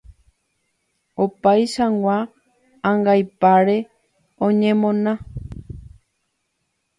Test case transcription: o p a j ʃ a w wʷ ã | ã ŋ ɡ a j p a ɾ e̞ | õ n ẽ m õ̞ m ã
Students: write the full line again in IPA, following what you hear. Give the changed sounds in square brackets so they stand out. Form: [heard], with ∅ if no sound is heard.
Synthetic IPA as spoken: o p a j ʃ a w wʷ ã | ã ŋ ɡ a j p a ɾ e̞ | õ [ɲ] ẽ m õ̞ [n] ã